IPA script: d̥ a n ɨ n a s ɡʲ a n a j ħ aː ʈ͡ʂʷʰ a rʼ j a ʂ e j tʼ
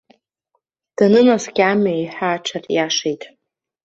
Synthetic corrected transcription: d̥ a n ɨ n a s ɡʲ a m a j ħ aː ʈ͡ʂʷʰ a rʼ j a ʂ e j tʼ

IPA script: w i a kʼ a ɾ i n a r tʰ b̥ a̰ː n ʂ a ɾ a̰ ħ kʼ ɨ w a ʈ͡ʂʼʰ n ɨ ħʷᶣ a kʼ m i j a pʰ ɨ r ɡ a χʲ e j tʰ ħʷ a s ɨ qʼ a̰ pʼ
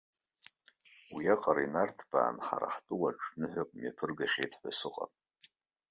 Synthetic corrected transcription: w i a qʼ a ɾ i n a r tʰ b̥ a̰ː n ħ a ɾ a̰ ħ tʼ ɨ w a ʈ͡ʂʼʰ n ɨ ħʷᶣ a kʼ m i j a pʰ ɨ r ɡ a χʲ e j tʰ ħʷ a s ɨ qʼ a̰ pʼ

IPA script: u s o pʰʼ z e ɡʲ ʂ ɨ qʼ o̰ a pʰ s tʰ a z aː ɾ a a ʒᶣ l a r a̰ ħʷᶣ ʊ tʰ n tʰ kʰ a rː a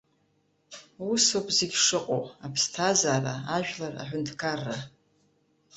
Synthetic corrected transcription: u s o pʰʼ z e ɡʲ ʂ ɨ qʼ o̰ a pʰ s tʰ a z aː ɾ a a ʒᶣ l a r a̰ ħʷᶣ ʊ n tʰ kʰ a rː a

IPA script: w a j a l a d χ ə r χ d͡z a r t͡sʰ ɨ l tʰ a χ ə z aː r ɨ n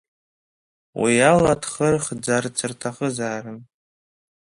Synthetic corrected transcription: w i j a l a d χ ə r χ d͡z a r t͡sʰ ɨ r tʰ a χ ə z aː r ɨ n

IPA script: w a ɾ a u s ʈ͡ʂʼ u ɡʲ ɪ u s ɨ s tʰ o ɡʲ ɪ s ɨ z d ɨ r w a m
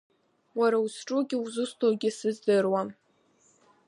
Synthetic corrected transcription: w a ɾ a u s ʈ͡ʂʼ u ɡʲ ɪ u z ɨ s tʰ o ɡʲ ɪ s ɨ z d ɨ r w a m

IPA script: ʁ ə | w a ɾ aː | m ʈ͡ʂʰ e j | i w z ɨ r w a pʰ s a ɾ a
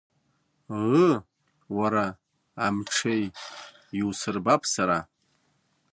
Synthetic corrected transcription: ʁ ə | w a ɾ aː | m ʈ͡ʂʰ e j | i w s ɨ r b a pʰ s a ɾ a

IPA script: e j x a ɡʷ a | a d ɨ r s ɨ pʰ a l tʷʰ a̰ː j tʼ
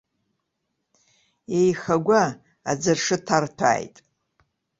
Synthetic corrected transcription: e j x a ɡʷ a | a d͡z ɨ r ʂ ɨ tʰ a r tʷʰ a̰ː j tʼ

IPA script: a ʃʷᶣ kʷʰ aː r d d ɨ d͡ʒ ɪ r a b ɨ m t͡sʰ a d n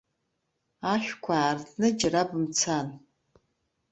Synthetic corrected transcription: a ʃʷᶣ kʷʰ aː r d n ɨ d͡ʒ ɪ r a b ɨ m t͡sʰ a n

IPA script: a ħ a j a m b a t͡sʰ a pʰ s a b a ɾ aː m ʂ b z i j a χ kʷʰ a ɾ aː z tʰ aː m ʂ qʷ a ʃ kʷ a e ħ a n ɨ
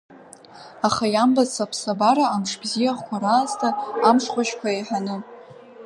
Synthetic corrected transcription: a χ a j a m b a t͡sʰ a pʰ s a b a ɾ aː m ʂ b z i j a χ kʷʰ a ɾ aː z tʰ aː m ʂ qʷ a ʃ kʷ a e ħ a n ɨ

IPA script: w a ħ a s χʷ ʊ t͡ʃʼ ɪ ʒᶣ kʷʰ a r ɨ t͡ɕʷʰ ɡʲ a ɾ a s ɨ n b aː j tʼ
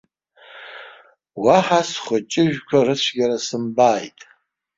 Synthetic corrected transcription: w a ħ a s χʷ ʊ t͡ʃʼ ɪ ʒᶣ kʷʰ a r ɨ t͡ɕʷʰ ɡʲ a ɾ a s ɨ m b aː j tʼ

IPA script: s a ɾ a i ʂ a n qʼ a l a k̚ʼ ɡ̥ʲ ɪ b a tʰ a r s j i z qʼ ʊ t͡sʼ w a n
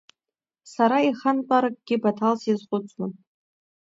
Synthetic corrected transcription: s a ɾ a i χ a n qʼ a ɾ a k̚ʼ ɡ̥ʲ ɪ b a tʰ a l s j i z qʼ ʊ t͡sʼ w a n

